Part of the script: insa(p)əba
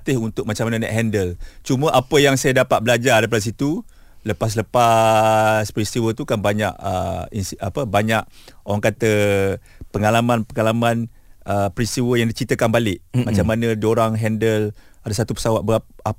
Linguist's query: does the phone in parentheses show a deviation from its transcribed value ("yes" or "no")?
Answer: no